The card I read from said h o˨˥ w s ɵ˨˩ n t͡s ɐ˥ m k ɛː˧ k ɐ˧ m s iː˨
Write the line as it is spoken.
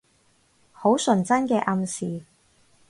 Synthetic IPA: h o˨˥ w s ɵ˨˩ n t͡s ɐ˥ n k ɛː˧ ʔ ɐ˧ m s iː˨